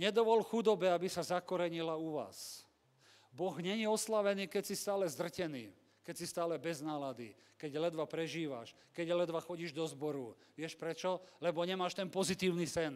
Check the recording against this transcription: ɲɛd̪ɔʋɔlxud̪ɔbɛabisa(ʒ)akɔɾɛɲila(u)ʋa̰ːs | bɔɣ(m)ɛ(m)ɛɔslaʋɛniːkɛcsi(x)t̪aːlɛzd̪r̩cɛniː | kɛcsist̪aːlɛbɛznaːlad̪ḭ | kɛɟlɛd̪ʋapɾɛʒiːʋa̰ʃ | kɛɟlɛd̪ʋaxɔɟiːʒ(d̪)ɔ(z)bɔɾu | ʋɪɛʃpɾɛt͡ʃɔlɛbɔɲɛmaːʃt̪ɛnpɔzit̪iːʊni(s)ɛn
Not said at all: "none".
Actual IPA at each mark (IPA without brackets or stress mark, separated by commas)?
z, u, ɲ, ɲ, s, d̪, z, s